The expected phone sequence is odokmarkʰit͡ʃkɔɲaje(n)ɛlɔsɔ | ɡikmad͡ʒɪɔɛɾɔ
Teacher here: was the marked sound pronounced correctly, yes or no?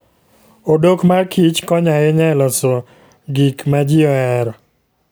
no